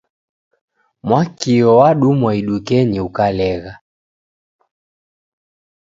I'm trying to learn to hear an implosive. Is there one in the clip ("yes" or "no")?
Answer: yes